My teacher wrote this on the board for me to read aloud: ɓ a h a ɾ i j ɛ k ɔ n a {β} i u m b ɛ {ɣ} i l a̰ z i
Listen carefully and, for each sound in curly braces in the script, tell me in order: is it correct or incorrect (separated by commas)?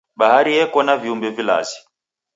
incorrect, incorrect